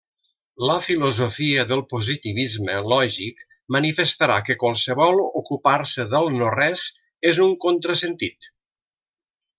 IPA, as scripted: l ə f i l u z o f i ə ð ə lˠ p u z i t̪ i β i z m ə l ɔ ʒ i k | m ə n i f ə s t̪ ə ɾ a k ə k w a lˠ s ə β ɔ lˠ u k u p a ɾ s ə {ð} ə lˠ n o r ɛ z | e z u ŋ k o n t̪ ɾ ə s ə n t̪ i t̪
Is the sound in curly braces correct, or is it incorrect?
correct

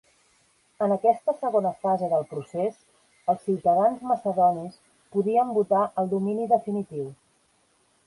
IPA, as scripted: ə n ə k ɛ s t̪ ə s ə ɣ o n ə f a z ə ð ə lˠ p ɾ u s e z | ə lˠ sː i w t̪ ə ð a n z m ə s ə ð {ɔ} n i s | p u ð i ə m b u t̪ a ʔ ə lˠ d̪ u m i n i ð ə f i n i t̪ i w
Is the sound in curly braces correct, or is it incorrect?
correct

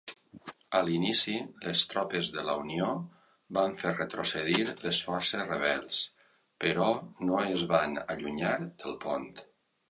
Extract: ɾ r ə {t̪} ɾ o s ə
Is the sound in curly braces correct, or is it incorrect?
correct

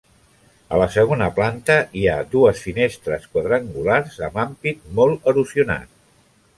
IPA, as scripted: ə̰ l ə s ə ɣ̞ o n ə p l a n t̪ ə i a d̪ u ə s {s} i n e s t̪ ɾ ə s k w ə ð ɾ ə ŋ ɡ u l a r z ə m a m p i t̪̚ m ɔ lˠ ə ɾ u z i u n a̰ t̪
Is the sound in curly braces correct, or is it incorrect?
incorrect: f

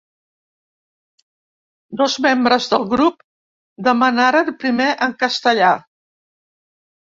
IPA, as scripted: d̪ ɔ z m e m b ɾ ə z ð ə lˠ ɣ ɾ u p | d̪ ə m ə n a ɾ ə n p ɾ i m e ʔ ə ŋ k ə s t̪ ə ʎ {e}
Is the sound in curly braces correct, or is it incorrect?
incorrect: a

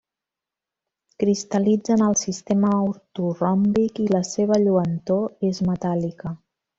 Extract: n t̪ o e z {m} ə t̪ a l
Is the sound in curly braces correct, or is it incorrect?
correct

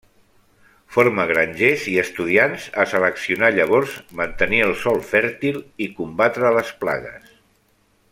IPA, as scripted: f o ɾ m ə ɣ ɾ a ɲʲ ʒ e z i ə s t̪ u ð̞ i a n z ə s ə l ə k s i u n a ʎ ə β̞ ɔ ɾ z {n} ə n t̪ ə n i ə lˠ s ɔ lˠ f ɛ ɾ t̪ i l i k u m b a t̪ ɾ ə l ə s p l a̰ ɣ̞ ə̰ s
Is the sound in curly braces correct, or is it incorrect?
incorrect: m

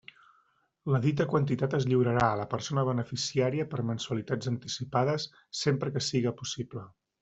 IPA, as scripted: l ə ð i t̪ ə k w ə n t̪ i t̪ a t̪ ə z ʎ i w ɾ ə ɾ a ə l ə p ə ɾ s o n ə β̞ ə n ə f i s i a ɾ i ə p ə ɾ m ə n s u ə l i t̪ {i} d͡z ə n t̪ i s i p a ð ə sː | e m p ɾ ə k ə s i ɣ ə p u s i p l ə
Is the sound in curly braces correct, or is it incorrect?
incorrect: a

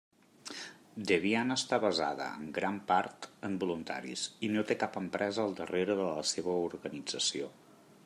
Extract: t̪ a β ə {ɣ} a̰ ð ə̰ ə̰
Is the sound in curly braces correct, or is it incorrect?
incorrect: z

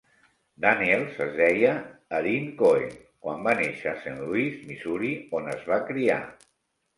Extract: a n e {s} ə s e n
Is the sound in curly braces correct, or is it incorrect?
incorrect: ʃ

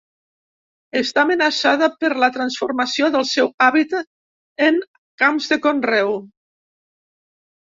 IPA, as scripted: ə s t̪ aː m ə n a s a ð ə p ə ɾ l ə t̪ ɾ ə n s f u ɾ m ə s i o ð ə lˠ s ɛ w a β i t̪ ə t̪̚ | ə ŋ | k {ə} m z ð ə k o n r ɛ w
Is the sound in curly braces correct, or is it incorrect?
incorrect: a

